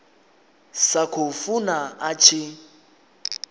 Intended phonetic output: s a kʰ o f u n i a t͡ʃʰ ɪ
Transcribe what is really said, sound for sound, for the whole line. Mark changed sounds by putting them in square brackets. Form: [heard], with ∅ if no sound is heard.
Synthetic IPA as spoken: s a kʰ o f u n [a] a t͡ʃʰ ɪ